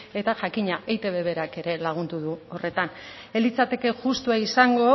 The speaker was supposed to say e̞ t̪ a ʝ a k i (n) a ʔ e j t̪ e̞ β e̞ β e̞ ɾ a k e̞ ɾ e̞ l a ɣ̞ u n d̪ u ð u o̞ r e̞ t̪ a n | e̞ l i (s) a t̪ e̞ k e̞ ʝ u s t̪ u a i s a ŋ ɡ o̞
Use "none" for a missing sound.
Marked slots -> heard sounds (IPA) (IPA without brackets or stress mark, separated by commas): ɲ, t͡s